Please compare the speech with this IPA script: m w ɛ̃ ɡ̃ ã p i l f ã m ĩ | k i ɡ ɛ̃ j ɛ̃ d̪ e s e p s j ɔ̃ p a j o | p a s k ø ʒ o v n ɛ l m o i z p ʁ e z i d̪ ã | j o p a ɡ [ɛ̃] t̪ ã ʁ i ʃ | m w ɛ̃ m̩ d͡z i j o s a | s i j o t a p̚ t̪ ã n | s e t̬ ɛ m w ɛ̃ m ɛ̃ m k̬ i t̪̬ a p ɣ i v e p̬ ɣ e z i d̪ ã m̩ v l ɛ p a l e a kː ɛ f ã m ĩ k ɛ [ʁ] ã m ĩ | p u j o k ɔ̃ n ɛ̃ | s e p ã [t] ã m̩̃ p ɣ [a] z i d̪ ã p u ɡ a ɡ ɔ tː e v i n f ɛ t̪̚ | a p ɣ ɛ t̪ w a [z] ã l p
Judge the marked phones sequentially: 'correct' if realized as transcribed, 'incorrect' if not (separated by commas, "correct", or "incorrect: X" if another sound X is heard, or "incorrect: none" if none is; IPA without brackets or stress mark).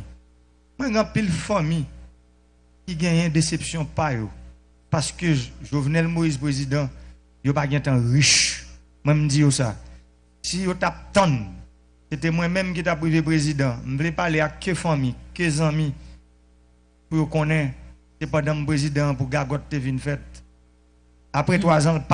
correct, incorrect: z, incorrect: d, incorrect: e, correct